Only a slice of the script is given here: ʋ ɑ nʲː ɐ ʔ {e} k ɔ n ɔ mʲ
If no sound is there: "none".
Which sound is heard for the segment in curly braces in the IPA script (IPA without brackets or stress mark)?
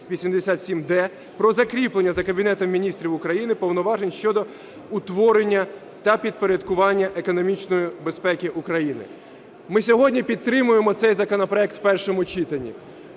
e